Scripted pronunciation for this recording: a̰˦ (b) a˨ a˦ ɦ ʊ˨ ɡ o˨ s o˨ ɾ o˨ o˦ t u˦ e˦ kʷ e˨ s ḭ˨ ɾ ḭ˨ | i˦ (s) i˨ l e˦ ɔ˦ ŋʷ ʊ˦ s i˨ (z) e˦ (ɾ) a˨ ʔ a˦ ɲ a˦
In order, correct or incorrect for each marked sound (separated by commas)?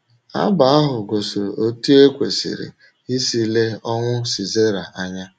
correct, correct, correct, correct